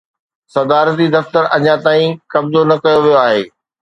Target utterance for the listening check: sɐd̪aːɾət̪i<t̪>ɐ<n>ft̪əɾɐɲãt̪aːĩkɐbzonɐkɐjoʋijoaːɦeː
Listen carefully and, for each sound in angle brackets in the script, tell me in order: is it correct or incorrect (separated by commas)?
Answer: incorrect, incorrect